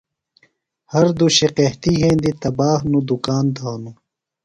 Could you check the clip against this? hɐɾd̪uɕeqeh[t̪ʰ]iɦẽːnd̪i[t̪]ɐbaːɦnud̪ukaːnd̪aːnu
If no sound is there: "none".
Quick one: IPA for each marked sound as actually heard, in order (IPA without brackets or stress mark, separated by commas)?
t̪, t̪